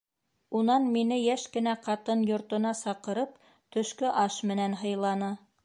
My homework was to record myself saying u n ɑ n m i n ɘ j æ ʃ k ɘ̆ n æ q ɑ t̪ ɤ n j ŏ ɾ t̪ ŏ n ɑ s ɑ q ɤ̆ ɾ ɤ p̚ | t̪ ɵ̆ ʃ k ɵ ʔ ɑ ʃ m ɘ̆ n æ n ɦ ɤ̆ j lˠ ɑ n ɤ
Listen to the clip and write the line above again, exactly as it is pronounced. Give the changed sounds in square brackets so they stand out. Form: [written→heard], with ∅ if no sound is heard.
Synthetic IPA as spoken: u n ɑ n m i n ɘ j æ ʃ k ɘ̆ n æ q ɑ t̪ ɤ n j ŏ ɾ t̪ ŏ n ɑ s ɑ q ɤ̆ ɾ ɤ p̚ | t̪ ɵ̆ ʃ k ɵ ʔ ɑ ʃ m ɘ̆ n æ n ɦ ɤ̆ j lˠ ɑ n ɤ